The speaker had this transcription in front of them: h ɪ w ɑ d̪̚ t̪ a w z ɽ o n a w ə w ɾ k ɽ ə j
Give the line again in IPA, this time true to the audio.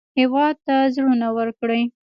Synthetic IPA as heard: h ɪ w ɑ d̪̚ t̪ a z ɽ u n a w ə ɾ k ɽ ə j